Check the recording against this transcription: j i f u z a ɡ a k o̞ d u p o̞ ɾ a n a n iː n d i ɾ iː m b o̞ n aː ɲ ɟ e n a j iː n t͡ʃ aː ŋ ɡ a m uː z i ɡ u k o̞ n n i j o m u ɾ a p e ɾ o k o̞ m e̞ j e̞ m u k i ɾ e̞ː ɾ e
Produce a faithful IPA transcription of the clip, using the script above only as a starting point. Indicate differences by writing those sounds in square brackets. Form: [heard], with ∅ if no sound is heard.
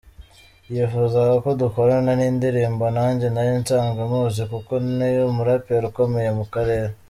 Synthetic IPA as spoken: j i f u z a ɡ a k o̞ d u [k] o̞ ɾ a n a n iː n d i ɾ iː m b o̞ n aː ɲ ɟ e n a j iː n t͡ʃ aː ŋ ɡ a m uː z i [k] u k o̞ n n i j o m u ɾ a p e ɾ [u] k o̞ m e̞ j e̞ m u k [a] ɾ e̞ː ɾ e